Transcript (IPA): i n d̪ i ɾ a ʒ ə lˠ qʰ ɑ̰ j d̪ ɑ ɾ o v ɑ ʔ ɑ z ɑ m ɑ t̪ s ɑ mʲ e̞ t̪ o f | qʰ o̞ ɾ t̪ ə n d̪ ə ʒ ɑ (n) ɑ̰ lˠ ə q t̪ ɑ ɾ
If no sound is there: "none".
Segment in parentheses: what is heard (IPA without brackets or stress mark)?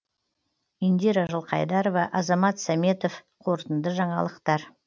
ɴ